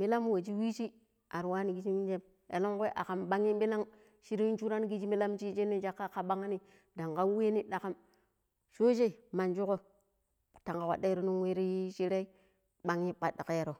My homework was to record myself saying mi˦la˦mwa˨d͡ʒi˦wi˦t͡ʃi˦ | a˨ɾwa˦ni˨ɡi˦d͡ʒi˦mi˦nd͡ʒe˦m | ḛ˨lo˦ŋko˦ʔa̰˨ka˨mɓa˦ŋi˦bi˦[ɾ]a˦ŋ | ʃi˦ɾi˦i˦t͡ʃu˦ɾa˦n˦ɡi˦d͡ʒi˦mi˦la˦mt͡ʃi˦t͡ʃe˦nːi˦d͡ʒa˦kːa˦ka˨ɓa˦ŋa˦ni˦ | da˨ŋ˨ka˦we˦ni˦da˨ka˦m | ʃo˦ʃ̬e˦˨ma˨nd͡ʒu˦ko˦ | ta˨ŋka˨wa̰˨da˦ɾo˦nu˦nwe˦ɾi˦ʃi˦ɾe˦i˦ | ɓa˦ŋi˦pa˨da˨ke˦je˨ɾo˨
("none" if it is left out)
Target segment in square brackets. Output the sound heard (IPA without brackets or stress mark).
l